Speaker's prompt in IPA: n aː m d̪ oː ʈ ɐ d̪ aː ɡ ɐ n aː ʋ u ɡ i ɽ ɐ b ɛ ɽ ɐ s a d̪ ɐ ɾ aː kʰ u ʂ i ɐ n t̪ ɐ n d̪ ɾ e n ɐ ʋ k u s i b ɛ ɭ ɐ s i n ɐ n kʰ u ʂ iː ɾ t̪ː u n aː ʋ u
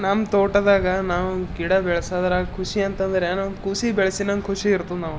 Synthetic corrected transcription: n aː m t̪ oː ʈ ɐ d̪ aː ɡ ɐ n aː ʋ u ɡ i ɽ ɐ b ɛ ɭ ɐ s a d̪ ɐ ɾ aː kʰ u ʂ i ɐ n t̪ ɐ n d̪ ɾ e n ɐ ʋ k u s i b ɛ ɭ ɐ s i n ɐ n kʰ u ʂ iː ɾ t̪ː u n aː ʋ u